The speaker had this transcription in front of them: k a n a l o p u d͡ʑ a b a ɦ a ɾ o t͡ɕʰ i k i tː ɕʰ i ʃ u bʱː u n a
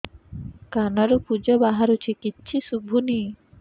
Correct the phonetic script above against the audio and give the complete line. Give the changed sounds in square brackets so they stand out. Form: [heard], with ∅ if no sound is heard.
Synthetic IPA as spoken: k a n a [ɾ] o p u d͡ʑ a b a ɦ a ɾ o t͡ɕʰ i k i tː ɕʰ i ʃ u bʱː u n [i]